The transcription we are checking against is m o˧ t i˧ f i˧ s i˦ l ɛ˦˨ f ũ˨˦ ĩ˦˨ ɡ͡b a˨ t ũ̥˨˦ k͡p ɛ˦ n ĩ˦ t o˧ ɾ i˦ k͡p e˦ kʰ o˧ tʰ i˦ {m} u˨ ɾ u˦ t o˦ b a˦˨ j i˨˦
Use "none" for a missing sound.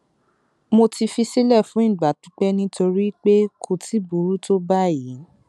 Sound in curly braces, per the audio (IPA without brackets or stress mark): b